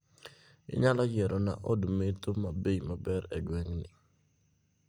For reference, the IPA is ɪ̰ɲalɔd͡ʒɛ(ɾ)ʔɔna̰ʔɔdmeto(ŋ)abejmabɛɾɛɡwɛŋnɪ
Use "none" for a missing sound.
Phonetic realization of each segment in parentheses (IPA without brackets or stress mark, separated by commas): ɾ, m